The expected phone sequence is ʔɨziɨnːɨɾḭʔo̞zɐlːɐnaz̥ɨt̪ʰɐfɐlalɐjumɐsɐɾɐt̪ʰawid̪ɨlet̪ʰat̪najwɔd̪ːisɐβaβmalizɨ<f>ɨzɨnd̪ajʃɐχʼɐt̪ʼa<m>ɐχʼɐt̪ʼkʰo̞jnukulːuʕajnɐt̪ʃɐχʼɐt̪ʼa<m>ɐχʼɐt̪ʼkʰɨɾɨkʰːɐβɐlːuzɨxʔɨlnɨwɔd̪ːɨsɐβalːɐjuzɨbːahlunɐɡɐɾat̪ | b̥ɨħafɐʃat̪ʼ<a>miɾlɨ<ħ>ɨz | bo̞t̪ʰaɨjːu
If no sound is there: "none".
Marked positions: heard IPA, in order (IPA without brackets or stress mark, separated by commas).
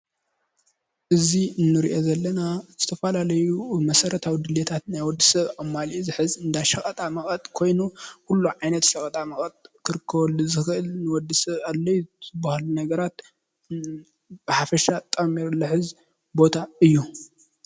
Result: ħ, m, m, ɐ, ħ